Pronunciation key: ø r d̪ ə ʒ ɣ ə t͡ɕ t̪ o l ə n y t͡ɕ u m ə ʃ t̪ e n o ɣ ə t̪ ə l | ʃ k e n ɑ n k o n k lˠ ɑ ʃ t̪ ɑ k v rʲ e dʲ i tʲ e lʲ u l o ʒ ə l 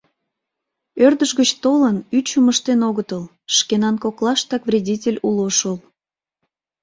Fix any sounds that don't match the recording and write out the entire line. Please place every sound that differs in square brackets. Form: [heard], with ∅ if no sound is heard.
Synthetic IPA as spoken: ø r d̪ ə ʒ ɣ ə t͡ɕ t̪ o l ə n y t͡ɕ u m ə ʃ t̪ e n o ɣ ə t̪ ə l | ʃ k e n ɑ n k o [∅] k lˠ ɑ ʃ t̪ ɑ k v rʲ e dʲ i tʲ e lʲ u l o [ʃ] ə l